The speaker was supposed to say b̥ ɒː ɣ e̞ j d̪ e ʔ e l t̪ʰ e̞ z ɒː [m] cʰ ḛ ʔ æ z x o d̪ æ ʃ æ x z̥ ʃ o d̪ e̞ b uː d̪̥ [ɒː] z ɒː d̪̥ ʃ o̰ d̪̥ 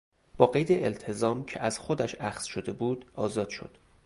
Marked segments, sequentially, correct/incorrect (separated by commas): correct, correct